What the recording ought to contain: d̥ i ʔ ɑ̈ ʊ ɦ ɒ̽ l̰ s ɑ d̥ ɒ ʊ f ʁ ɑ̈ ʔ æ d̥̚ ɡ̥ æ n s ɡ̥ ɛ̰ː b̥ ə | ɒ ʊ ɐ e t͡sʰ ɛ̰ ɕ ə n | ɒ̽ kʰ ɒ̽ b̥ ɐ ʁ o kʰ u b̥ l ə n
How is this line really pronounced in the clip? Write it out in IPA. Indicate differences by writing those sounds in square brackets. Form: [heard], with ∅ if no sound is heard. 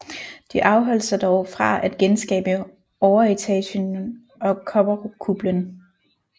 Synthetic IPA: d̥ i ʔ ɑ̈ ʊ ɦ ɒ̽ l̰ s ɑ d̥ ɒ ʊ f ʁ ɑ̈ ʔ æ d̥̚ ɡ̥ [e] n s ɡ̥ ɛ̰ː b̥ ə | ɒ ʊ ɐ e t͡sʰ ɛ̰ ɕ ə n | ɒ̽ kʰ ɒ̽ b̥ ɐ ʁ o kʰ u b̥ l ə n